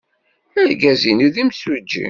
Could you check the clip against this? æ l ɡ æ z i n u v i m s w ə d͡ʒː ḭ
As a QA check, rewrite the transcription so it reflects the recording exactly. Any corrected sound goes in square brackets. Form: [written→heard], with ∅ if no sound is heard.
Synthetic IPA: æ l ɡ æ z i n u [v→ð] i m s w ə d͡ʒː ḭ